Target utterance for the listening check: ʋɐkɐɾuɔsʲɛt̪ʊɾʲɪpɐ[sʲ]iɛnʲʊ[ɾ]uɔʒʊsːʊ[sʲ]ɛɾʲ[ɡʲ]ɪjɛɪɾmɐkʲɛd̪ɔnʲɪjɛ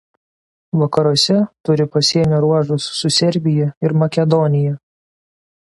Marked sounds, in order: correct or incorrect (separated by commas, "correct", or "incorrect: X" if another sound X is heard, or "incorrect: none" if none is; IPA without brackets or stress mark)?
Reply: correct, correct, correct, incorrect: bʲ